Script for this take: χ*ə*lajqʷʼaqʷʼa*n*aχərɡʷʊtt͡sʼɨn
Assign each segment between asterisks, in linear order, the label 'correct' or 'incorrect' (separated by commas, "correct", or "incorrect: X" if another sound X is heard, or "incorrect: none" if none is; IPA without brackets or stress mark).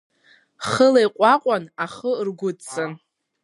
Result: correct, correct